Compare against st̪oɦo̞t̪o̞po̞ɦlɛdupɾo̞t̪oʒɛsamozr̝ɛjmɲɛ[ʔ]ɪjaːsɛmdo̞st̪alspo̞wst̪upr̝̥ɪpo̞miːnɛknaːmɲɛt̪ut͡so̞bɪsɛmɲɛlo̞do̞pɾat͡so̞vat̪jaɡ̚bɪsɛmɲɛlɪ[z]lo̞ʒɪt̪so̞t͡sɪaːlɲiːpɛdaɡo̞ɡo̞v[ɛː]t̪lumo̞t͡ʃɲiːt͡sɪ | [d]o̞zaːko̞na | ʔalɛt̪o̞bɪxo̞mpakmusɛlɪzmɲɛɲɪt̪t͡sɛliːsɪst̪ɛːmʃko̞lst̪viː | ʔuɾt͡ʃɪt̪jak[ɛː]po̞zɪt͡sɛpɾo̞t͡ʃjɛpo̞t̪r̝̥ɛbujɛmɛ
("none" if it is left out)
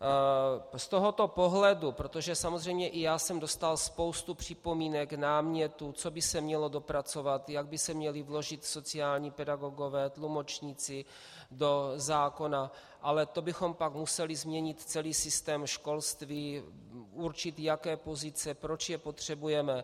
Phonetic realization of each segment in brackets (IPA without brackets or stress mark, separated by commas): ʔ, v, ɛː, d, ɛː